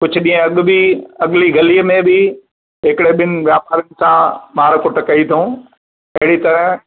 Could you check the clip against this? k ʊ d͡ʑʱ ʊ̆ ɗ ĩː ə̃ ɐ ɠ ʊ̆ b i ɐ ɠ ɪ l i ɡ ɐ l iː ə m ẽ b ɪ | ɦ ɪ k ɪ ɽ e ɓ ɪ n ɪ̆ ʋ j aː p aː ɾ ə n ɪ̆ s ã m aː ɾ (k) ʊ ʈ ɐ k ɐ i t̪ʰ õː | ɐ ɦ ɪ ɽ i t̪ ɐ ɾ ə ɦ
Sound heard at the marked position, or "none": k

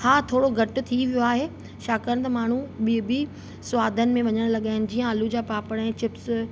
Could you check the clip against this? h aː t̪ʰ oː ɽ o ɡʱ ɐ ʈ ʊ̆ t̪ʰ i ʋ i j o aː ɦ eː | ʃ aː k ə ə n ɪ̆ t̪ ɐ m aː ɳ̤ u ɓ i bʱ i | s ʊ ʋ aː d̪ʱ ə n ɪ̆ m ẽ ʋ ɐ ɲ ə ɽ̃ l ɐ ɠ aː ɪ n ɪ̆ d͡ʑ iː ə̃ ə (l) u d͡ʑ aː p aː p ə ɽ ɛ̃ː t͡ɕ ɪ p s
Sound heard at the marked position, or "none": l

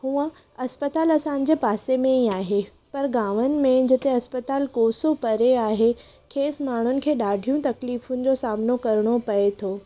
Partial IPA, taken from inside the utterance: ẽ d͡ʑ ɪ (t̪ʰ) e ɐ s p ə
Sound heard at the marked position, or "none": t̪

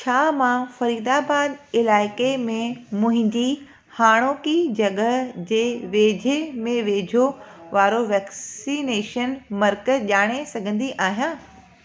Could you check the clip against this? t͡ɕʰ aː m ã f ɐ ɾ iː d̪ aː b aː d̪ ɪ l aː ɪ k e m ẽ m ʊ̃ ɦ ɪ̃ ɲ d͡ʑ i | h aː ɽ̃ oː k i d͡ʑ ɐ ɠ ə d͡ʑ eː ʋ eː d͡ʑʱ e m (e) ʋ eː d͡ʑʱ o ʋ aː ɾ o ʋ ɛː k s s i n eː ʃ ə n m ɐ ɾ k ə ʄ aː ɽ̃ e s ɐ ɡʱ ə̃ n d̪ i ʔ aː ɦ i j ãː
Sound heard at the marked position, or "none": ẽ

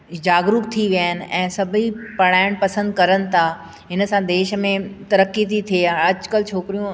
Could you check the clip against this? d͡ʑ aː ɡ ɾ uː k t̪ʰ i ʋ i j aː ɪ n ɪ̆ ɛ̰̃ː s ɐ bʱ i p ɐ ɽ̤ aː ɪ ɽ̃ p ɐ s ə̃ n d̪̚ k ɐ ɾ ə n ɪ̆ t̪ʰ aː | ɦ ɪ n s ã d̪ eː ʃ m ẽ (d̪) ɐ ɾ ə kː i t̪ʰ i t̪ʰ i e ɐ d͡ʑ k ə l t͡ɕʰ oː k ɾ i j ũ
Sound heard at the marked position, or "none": t̪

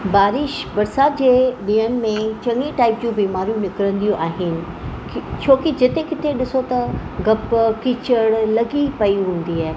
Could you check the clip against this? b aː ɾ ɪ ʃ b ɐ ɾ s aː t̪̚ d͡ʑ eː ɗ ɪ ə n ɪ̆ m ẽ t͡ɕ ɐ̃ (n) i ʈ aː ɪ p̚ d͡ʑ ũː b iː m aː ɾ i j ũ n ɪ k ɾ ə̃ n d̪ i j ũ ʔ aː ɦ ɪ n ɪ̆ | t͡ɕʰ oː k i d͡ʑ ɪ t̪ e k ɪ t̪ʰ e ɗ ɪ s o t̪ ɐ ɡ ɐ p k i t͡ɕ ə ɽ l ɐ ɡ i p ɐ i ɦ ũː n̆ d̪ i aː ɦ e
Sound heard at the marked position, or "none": ŋ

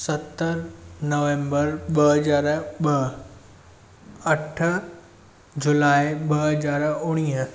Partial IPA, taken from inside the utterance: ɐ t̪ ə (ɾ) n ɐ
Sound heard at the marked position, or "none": ɾ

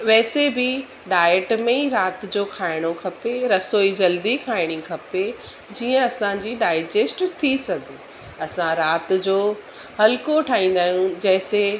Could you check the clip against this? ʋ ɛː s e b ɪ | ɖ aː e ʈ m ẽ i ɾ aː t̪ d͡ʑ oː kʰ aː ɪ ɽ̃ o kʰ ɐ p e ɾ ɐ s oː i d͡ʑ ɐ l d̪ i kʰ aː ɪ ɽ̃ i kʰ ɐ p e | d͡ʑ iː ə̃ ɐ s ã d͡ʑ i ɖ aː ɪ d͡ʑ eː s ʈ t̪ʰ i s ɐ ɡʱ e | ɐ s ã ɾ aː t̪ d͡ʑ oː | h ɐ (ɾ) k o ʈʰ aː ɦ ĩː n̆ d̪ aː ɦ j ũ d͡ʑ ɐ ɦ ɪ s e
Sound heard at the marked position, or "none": l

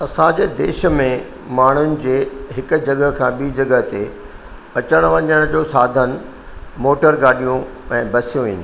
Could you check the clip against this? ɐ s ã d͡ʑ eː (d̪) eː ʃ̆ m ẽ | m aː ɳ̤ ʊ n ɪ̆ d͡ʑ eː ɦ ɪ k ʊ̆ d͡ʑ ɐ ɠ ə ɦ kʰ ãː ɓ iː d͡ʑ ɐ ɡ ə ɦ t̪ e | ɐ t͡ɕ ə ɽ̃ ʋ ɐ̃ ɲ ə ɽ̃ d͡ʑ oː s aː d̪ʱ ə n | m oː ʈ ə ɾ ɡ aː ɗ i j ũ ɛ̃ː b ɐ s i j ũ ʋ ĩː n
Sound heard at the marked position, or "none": d̪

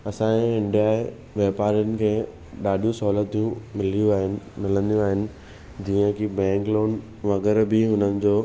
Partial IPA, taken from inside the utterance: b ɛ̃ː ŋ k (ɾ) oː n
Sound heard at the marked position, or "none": l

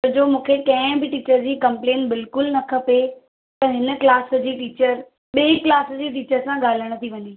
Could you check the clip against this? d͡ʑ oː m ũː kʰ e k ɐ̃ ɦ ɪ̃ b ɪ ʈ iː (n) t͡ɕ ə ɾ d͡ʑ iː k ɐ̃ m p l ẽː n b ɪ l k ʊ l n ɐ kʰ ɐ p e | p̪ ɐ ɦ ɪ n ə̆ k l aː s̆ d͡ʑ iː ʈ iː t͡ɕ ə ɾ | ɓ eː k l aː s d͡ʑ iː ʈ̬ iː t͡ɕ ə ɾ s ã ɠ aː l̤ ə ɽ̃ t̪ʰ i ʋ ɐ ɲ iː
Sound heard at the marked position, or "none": none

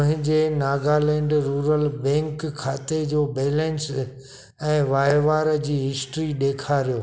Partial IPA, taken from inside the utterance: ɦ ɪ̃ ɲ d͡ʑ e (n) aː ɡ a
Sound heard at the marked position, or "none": n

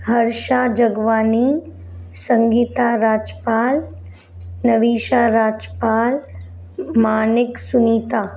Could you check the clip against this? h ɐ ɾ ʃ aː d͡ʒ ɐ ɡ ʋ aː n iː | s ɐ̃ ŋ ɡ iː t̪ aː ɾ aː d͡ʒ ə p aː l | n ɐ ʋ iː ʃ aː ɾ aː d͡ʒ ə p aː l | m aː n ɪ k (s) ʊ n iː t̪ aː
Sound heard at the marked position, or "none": s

